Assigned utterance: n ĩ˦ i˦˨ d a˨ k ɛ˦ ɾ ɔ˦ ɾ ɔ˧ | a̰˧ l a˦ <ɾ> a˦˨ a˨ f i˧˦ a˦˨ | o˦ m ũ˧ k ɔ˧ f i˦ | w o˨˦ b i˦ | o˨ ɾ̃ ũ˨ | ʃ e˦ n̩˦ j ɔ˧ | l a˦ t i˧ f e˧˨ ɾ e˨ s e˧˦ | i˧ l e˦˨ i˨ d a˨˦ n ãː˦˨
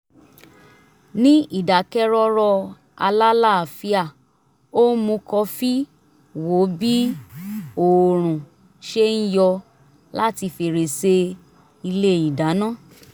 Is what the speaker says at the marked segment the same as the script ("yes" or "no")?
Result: no